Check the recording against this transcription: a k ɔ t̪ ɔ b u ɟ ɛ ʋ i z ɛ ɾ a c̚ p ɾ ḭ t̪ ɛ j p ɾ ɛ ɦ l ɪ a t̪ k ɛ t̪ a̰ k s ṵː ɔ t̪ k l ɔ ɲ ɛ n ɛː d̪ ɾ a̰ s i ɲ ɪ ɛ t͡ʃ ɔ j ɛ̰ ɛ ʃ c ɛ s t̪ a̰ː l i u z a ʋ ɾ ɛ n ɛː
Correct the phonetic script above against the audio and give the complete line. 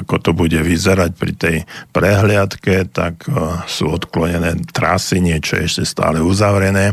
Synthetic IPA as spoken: a k ɔ t̪ ɔ b u ɟ ɛ ʋ i z ɛ ɾ a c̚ p ɾ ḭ t̪ ɛ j p ɾ ɛ ɦ l ɪ a t̪ k ɛ t̪ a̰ k s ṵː ɔ t̪ k l ɔ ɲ ɛ n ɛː t̪ ɾ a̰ s i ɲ ɪ ɛ t͡ʃ ɔ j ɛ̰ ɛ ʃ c ɛ s t̪ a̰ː l ɛ u z a ʋ ɾ ɛ n ɛː